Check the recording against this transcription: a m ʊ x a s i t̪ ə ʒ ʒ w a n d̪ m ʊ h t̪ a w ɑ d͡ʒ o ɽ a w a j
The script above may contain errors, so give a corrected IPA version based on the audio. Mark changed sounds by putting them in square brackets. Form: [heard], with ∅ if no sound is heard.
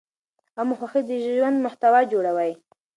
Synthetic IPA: a m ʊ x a [x] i [d̪] ə ʒ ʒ w a n d̪ m ʊ h t̪ a w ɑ d͡ʒ o ɽ a w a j